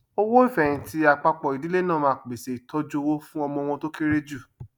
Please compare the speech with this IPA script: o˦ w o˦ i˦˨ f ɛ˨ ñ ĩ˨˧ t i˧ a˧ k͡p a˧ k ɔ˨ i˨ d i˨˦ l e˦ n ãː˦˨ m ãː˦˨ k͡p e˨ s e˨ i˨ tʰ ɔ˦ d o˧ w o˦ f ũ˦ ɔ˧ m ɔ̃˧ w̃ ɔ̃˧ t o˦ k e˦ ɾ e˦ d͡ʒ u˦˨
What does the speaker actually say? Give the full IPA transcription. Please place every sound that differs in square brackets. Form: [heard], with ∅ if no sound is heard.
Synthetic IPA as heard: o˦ w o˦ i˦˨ f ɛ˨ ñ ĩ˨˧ t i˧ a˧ k͡p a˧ [k͡p] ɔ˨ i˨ d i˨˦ l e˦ n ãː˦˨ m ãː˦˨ k͡p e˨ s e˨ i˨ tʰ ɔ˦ [d͡ʒ] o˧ w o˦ f ũ˦ ɔ˧ m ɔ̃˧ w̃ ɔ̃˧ t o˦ k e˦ ɾ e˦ d͡ʒ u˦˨